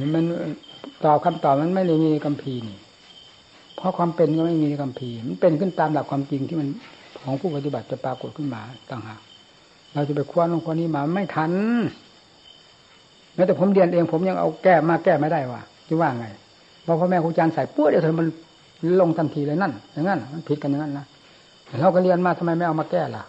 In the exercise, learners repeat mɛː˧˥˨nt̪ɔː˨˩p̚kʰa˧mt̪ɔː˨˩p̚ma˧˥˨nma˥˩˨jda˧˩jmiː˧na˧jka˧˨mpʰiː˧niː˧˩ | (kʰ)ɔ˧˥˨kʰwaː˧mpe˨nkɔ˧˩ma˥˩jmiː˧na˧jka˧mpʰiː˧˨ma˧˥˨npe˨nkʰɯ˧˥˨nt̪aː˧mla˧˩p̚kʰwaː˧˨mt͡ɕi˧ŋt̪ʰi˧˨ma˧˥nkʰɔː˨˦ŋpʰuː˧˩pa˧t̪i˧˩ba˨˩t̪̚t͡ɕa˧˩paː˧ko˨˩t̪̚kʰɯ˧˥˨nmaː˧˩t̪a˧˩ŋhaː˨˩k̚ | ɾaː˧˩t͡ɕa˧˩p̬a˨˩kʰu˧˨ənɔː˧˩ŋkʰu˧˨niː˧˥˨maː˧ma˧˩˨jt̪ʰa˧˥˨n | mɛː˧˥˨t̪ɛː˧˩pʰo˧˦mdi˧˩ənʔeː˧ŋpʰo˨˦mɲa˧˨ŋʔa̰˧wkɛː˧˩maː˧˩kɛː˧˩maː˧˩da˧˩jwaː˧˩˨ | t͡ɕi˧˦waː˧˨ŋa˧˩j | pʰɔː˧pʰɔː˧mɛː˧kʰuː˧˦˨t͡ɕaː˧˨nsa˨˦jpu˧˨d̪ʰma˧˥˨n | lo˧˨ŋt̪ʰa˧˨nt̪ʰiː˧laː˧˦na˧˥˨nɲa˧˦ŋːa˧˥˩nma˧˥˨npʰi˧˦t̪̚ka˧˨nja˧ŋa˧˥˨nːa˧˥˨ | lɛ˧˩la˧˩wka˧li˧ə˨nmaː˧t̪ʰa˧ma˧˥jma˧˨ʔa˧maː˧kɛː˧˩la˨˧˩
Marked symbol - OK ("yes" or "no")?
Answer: no